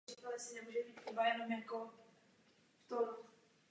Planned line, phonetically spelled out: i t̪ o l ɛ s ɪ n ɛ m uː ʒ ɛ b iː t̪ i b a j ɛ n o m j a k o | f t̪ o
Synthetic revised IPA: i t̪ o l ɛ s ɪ n ɛ m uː ʒ ɛ b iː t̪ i b a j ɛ n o m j a k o | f t̪ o